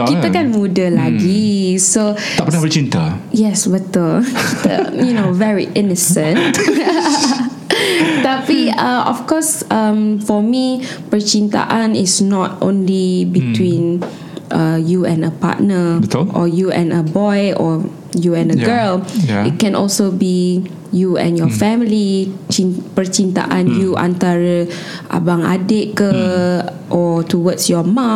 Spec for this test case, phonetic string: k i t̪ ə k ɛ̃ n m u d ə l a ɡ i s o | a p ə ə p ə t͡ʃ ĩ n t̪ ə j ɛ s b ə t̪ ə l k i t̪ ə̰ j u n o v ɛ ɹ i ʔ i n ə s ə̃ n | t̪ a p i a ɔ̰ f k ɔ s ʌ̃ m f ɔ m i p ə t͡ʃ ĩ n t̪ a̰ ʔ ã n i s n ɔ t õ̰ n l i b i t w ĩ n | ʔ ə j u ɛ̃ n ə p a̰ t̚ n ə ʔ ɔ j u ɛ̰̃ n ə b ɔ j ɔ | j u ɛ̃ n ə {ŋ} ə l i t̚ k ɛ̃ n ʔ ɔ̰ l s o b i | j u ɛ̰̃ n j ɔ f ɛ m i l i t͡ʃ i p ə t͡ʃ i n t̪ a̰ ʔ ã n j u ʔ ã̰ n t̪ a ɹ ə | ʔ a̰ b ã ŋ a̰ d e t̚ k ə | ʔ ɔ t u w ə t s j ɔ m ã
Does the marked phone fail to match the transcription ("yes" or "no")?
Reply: yes